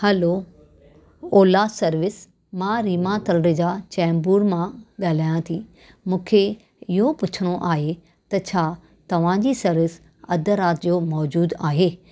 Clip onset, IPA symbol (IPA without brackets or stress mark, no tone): h